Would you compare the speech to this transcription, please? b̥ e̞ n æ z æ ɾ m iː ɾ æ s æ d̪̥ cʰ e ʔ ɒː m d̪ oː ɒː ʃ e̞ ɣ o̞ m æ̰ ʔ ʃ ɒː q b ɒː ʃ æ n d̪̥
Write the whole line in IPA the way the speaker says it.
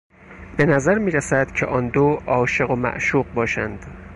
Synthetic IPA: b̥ e̞ n æ z æ ɾ m iː ɾ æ s æ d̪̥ cʰ e ʔ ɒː n d̪ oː ɒː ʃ e̞ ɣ o̞ m æ̰ ʔ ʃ uː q b ɒː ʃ æ n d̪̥